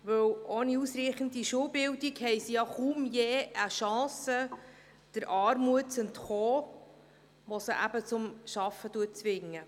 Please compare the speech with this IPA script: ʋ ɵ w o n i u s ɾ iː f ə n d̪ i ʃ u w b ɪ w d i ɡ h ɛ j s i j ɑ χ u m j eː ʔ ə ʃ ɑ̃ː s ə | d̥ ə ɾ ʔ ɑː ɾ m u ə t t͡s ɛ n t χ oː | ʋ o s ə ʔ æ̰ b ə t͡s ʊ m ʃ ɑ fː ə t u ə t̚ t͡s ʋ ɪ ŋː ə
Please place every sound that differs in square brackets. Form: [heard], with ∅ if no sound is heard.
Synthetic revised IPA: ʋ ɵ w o n i u s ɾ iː [χ] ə n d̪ i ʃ u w b ɪ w d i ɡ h ɛ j s i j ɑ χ u m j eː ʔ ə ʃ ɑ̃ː s ə | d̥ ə ɾ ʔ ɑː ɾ m u ə t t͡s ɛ n t χ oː | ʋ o s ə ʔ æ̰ b ə t͡s ʊ m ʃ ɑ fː ə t u ə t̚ t͡s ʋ ɪ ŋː ə